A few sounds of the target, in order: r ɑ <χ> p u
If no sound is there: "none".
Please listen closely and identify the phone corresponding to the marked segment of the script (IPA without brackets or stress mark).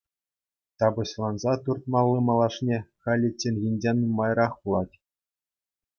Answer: χ